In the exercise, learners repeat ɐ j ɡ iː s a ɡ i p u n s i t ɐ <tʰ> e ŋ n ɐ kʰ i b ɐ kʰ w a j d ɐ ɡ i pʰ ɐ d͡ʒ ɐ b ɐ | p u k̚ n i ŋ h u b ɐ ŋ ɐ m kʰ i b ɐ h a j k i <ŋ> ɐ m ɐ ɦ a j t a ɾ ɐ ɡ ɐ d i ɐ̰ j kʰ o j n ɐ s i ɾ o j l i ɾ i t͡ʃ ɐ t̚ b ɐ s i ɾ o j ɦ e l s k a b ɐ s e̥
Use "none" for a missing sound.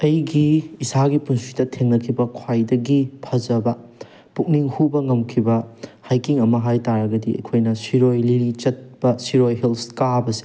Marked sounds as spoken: tʰ, ŋ

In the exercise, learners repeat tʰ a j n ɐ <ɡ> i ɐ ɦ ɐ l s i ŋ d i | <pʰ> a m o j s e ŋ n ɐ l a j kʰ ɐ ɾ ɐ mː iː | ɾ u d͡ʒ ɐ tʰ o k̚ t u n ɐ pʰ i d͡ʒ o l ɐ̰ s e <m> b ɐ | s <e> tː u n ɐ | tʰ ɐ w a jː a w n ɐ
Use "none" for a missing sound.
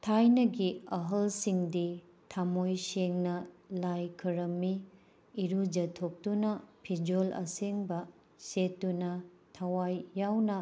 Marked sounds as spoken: ɡ, tʰ, ŋ, e

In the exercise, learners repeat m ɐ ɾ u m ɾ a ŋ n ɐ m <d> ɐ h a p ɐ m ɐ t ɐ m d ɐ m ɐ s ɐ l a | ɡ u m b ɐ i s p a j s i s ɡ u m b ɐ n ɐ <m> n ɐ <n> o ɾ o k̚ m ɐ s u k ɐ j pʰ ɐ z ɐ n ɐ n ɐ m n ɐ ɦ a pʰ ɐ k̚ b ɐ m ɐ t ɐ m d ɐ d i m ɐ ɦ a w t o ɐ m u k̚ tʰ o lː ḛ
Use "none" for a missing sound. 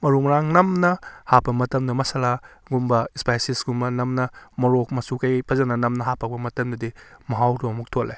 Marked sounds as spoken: n, m, m

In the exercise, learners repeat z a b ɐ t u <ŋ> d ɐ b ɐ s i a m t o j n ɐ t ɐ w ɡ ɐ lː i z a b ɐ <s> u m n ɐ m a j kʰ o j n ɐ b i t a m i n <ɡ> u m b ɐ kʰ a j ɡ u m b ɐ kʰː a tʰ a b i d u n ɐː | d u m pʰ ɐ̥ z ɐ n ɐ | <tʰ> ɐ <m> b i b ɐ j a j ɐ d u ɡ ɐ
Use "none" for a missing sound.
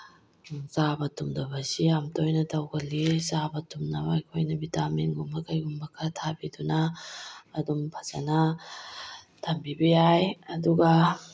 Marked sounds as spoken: m, t, ɡ, tʰ, m

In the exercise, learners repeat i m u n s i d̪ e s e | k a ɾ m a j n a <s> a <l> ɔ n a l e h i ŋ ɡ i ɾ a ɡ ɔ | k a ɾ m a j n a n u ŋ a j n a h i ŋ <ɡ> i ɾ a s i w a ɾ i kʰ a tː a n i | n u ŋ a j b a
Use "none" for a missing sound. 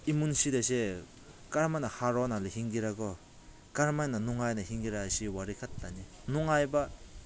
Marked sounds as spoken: h, ɾ, ɡ

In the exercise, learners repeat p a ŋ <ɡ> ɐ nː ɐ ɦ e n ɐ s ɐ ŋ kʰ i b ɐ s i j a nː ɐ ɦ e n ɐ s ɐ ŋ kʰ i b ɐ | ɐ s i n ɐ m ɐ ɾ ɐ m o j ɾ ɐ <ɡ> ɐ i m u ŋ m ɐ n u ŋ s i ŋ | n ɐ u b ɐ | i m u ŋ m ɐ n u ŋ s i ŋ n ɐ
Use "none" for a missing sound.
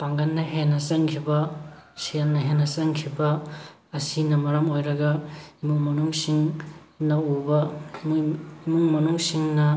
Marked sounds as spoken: ɡ, ɡ

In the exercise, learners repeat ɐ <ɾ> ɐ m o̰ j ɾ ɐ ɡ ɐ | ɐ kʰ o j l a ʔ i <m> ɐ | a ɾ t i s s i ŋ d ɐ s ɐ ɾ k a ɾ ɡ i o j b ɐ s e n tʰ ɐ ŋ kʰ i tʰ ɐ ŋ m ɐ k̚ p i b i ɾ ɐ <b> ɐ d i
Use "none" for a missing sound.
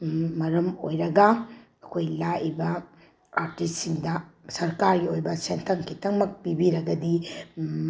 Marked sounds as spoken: ɾ, b, ɡ

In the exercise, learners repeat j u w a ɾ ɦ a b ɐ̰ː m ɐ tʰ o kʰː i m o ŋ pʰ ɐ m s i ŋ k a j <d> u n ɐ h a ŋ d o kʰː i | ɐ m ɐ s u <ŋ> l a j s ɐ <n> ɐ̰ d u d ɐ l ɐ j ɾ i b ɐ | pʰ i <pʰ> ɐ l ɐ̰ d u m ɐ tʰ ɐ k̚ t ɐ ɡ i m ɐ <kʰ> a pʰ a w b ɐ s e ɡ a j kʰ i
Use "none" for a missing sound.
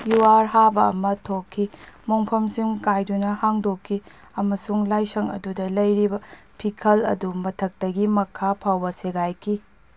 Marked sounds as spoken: d, ŋ, ŋ, kʰ, kʰ

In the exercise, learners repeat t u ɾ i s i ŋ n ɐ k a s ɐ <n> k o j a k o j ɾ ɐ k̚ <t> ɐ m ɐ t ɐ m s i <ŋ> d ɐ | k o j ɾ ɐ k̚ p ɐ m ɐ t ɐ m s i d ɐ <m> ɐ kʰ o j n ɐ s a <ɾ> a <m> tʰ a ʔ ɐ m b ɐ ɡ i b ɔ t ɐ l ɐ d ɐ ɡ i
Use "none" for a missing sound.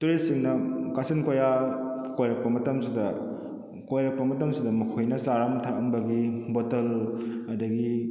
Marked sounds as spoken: n, p, none, m, ɾ, m

